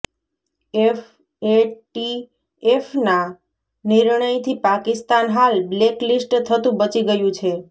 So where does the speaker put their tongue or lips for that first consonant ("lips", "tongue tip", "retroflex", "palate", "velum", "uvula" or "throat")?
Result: lips